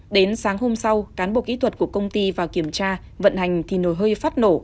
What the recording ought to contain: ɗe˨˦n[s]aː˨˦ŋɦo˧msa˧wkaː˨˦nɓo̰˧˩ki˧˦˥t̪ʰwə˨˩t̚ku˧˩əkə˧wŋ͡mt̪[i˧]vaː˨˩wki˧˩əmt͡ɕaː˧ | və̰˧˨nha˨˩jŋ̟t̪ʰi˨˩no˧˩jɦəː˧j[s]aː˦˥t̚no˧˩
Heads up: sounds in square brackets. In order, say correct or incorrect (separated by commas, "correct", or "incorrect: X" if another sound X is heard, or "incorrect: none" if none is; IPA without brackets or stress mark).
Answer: correct, correct, incorrect: f